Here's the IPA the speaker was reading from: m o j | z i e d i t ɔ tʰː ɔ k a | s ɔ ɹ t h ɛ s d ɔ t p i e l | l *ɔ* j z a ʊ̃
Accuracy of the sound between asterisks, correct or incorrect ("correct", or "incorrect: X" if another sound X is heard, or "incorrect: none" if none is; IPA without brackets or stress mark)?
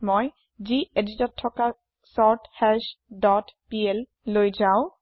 incorrect: o